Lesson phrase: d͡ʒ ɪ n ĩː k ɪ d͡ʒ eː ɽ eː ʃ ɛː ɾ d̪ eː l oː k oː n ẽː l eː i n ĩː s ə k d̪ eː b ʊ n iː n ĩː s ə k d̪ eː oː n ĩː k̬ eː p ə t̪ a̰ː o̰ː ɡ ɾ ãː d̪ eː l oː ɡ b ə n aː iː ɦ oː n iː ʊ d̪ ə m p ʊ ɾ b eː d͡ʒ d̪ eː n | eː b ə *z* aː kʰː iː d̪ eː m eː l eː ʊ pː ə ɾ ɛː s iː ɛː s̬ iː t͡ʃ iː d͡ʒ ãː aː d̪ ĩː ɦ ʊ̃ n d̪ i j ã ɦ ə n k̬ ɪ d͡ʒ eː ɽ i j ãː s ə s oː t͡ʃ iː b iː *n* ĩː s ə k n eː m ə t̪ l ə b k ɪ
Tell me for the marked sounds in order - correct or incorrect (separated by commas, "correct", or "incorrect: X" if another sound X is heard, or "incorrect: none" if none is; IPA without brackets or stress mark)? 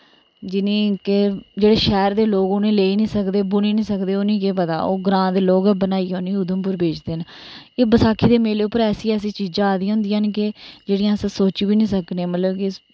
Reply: incorrect: s, correct